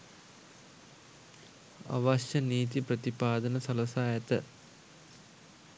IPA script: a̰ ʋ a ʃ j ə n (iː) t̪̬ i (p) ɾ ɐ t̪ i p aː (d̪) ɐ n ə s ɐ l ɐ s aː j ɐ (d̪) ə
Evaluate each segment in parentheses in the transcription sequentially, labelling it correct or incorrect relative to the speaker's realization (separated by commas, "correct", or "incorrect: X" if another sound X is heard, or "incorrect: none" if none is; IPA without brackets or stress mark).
correct, correct, correct, incorrect: t̪